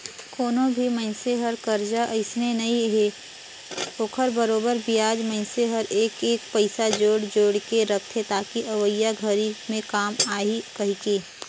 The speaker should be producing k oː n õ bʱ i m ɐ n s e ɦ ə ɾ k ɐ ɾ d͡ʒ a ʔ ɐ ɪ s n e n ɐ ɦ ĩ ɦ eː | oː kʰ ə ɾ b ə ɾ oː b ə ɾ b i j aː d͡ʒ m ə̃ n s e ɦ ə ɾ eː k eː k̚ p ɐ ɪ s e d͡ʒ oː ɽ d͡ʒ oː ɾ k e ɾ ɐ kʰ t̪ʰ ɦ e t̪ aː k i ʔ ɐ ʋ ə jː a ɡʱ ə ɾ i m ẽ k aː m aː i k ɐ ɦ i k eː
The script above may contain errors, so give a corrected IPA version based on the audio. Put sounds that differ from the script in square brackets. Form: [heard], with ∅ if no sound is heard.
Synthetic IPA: k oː n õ bʱ i m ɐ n s e ɦ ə ɾ k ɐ ɾ d͡ʒ a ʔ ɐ ɪ s n e n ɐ ɦ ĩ ɦ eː | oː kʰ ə ɾ b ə ɾ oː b ə ɾ b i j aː d͡ʒ m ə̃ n s e ɦ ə ɾ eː k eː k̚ p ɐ ɪ s [a] d͡ʒ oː ɽ d͡ʒ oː [ɽ] k e ɾ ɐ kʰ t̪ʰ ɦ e t̪ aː k i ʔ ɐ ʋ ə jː a ɡʱ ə ɾ i m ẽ k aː m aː i k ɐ ɦ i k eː